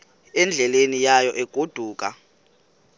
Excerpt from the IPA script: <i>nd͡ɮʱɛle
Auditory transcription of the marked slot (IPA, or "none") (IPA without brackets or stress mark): ɛ